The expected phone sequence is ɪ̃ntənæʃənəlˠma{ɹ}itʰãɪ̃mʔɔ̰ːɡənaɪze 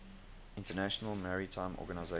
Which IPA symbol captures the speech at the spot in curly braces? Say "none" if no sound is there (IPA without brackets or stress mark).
ɹ